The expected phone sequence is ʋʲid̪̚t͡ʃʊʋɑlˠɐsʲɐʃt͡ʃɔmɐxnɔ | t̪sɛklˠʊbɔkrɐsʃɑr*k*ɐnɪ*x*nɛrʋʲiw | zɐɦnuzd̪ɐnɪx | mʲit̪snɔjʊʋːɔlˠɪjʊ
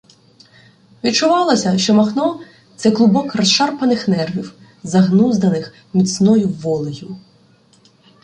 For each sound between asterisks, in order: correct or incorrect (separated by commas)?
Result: incorrect, correct